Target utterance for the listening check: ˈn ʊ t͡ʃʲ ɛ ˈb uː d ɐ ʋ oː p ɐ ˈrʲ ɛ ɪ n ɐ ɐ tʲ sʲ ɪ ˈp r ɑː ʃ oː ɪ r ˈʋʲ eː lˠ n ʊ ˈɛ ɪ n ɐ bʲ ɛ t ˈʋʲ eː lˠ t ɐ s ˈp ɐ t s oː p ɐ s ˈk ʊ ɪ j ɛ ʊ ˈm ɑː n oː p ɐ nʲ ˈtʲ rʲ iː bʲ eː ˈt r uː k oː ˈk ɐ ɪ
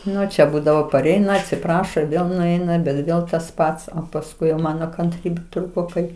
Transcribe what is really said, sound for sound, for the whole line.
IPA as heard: ˈn ʊ t͡ʃʲ ɛ ˈb uː d ɐ ʋ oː p ɐ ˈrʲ ɛ ɪ n ɐ ɐ tʲ sʲ ɪ ˈp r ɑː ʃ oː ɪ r ˈʋʲ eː lˠ n ʊ ˈɛ ɪ n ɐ bʲ ɛ t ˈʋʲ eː lˠ t ɐ s ˈp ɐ t s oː p ɐ s ˈk ʊ ɪ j ɛ ʊ ˈm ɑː n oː k ɐ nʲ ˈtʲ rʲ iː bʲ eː ˈt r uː k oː ˈk ɐ ɪ